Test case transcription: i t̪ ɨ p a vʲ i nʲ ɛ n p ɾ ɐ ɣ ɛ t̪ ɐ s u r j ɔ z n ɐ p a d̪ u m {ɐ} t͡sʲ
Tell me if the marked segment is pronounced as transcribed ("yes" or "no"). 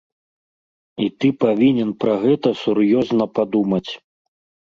yes